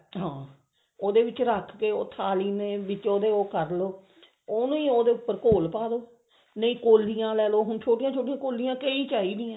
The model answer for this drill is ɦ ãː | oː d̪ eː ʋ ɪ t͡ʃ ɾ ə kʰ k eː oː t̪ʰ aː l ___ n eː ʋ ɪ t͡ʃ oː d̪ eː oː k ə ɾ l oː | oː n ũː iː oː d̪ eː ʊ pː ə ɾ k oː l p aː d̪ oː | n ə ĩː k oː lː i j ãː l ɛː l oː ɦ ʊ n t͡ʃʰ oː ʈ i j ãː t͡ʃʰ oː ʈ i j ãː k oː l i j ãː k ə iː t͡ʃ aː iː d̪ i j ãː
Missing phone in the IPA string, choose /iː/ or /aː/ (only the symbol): iː